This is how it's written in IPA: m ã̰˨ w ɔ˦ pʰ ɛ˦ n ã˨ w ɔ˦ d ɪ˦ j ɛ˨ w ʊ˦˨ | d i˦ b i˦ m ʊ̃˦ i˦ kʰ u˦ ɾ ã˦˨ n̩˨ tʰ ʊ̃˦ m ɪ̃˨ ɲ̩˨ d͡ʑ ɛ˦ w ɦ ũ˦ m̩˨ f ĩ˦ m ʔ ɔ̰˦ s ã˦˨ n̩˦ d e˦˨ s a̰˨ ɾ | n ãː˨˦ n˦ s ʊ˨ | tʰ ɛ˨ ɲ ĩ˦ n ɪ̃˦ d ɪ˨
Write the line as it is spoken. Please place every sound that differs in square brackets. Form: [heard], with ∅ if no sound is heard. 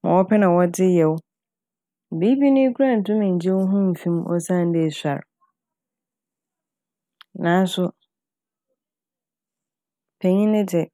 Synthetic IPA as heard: m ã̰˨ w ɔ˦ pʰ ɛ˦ n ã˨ w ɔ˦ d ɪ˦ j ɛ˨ w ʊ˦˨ | [b] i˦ b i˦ [n] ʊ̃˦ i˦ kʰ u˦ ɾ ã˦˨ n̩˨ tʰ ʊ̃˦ m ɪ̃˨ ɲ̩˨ d͡ʑ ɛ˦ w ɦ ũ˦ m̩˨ f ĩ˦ m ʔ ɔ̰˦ s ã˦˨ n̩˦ d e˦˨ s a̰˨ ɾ | n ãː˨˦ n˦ s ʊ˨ | [pʰ] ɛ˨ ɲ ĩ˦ n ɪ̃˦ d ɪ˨